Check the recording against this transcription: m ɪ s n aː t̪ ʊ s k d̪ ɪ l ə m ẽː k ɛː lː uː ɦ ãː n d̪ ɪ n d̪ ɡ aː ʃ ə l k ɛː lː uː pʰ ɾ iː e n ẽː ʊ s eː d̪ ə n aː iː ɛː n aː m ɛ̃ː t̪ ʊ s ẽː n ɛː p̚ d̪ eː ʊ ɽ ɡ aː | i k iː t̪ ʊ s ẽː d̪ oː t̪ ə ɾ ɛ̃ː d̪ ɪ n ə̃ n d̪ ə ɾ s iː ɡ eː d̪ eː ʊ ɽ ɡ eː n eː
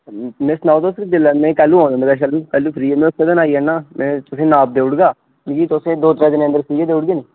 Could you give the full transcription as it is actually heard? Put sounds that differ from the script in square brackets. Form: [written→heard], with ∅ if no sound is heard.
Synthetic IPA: m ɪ s n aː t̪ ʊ s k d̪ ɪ l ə m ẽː k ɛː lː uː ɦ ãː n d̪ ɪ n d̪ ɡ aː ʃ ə l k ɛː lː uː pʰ ɾ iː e [n→m] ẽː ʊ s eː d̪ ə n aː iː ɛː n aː m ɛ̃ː t̪ ʊ s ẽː n [ɛː→aː] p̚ d̪ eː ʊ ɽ ɡ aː | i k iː t̪ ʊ s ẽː d̪ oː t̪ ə ɾ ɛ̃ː d̪ ɪ n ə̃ n d̪ ə ɾ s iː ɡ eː d̪ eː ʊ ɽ ɡ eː n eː